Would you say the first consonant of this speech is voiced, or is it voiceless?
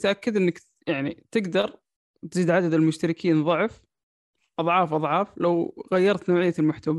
voiceless